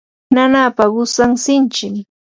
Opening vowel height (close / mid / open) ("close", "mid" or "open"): open